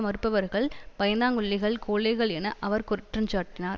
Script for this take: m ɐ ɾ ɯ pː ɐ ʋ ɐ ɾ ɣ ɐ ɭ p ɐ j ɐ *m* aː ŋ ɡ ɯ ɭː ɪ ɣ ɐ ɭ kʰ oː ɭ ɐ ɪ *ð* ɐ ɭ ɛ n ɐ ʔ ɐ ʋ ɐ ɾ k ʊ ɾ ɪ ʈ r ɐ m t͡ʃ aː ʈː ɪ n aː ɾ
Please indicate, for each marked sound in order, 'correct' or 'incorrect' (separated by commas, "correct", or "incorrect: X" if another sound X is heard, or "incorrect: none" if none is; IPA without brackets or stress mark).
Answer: incorrect: n, incorrect: ɣ